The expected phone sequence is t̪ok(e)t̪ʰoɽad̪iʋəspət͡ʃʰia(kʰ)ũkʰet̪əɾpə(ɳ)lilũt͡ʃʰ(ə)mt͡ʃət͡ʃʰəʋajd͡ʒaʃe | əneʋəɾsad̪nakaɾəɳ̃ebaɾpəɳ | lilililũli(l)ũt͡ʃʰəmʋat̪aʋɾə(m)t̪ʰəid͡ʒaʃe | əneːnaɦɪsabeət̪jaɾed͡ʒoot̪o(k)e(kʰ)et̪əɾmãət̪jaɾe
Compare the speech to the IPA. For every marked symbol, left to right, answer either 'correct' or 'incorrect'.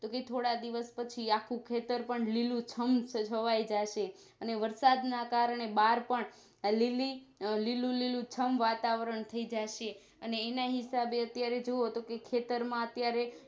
correct, correct, correct, correct, correct, incorrect: ɳ, correct, correct

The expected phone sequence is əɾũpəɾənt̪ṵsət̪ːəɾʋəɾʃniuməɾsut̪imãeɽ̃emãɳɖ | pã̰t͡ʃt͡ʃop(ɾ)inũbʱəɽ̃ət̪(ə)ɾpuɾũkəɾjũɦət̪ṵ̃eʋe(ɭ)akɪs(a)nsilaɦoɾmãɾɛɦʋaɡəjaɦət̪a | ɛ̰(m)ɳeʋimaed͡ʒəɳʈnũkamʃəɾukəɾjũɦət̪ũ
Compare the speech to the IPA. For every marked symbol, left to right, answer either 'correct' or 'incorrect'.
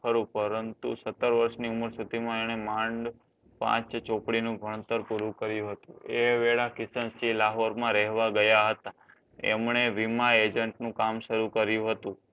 incorrect: ɽ, correct, correct, incorrect: ə, correct

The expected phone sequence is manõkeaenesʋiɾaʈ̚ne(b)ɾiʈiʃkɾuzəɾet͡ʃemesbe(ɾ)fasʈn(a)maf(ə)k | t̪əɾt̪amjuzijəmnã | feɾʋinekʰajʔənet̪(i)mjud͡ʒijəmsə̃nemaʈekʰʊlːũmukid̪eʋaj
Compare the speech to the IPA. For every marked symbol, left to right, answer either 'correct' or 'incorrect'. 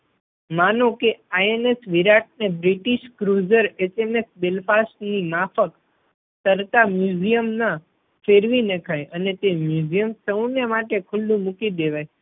correct, incorrect: l, incorrect: i, correct, incorrect: e

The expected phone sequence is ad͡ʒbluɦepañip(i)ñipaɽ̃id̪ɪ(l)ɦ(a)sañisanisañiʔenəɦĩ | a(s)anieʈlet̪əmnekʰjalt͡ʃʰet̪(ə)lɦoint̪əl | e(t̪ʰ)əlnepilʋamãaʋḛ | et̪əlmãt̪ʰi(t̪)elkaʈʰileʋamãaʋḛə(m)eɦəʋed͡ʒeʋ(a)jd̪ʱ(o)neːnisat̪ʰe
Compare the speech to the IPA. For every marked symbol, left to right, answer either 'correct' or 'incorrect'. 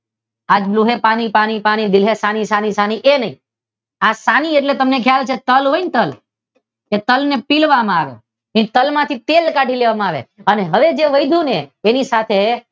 incorrect: a, correct, incorrect: e, correct, correct, incorrect: t̪, correct, incorrect: n, incorrect: ə, incorrect: u

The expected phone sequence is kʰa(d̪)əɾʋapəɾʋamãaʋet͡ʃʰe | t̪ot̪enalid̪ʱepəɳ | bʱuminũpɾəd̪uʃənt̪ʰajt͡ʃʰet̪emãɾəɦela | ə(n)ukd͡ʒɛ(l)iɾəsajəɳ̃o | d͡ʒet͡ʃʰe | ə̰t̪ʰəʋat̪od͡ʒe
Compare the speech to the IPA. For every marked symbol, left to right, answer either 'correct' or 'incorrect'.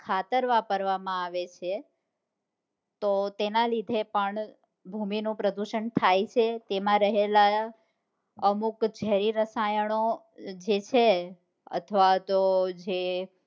incorrect: t̪, incorrect: m, incorrect: ɾ

